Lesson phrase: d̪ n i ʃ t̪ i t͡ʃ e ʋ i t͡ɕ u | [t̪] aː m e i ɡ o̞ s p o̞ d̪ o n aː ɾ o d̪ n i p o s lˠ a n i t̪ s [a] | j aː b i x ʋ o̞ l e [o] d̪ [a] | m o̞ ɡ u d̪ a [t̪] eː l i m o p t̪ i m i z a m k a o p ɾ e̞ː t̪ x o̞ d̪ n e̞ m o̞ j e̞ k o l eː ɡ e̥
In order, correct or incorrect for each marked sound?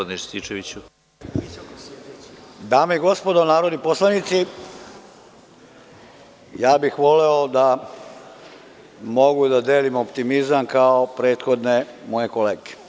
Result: incorrect: d̪, incorrect: i, correct, correct, incorrect: d̪

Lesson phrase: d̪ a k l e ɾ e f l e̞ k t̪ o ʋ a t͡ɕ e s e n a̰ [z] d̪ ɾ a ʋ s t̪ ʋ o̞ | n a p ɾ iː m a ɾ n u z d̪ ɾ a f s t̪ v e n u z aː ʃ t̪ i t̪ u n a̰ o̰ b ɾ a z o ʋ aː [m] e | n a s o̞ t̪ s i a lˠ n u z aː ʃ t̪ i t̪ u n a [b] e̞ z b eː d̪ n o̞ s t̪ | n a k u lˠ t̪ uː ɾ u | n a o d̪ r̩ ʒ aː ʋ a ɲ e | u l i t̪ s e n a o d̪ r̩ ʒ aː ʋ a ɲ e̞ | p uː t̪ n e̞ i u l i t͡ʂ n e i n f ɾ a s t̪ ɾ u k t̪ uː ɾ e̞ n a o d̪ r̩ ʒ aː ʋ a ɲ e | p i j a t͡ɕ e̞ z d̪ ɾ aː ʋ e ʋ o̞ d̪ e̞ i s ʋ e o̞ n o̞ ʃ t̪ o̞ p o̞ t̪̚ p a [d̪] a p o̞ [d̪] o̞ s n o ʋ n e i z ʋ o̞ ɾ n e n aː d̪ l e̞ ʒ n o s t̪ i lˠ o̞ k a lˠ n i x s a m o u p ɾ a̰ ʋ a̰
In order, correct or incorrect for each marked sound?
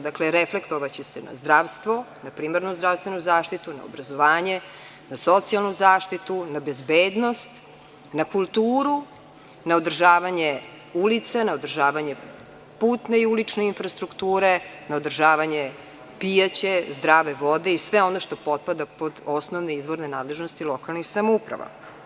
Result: correct, incorrect: ɲ, correct, correct, correct

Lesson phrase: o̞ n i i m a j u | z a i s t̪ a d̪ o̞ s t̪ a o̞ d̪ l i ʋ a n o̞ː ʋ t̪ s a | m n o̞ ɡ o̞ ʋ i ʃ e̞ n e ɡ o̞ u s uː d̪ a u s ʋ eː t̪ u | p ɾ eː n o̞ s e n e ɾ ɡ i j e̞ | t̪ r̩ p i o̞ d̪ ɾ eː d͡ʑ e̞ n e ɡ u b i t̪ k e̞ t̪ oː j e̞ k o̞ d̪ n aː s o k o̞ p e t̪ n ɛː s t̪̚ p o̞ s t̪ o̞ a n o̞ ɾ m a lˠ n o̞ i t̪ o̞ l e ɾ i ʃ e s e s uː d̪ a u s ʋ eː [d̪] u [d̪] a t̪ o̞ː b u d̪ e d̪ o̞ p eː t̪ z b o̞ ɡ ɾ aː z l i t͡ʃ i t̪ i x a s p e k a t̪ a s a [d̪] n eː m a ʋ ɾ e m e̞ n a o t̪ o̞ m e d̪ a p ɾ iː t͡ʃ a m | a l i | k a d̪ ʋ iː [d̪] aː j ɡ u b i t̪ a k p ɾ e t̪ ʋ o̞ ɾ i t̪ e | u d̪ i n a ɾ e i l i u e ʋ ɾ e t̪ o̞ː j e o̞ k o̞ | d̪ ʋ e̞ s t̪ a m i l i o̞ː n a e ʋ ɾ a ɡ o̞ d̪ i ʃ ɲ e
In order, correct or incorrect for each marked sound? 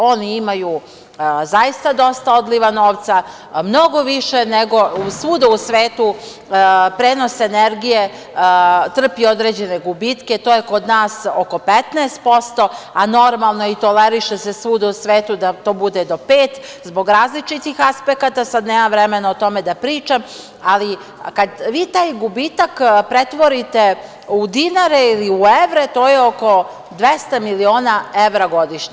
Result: incorrect: t̪, correct, correct, incorrect: t̪

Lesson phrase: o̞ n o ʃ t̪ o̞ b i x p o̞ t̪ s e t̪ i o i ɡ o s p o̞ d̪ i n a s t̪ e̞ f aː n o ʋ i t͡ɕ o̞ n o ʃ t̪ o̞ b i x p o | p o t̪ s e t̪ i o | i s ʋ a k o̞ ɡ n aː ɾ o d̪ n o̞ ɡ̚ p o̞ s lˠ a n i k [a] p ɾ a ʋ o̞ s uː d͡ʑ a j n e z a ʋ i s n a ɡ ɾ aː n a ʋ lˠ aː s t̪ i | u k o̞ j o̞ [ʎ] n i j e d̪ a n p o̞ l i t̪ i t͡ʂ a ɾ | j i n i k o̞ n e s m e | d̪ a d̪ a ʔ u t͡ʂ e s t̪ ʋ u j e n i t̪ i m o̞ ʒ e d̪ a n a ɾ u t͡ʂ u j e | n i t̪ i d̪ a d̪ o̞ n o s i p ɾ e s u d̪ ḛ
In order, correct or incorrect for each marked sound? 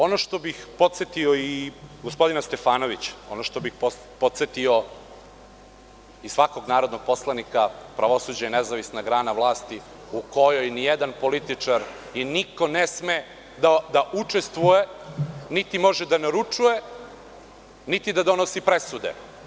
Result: correct, incorrect: j

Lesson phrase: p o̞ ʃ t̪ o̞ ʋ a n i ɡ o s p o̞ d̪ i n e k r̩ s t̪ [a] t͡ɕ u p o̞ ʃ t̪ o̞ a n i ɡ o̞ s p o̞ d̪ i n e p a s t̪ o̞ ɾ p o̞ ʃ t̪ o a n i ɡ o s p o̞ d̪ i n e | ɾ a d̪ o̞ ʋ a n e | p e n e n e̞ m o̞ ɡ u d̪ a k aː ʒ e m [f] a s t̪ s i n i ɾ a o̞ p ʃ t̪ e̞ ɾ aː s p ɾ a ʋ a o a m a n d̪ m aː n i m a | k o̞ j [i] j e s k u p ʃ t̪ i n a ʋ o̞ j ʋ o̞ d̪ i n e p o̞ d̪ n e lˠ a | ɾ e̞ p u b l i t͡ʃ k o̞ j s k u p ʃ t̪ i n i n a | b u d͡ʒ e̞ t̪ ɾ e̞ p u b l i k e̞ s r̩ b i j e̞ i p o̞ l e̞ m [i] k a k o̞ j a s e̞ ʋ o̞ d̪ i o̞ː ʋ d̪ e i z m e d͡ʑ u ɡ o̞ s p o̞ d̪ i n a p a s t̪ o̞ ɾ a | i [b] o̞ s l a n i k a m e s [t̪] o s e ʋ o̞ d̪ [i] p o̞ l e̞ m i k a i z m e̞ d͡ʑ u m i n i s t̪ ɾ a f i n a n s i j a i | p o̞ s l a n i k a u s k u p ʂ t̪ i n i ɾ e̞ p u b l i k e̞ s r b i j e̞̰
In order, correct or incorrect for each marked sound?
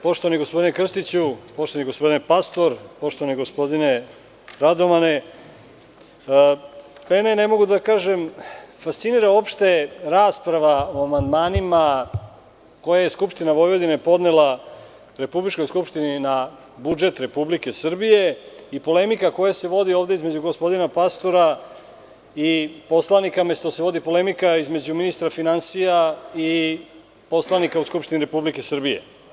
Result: incorrect: i, correct, incorrect: a, correct, incorrect: p, correct, correct

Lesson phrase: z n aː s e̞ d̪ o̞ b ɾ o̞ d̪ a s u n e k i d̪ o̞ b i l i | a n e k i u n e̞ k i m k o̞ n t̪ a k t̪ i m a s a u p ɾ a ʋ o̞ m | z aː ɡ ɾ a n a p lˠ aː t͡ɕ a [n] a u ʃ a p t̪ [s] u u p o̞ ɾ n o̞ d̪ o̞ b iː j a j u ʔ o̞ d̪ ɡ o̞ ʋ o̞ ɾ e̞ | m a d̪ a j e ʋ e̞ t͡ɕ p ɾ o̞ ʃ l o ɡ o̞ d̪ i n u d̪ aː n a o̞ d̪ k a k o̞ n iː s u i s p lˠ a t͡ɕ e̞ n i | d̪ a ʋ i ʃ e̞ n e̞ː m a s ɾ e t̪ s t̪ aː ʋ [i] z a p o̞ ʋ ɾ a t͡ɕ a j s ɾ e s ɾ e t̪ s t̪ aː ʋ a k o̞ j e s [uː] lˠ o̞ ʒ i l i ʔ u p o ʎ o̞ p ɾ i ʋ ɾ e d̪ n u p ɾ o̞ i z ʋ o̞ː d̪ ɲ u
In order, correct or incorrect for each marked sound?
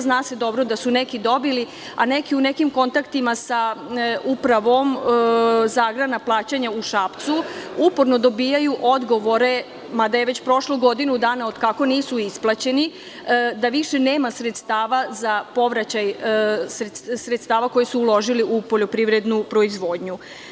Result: incorrect: ɲ, correct, incorrect: a, correct

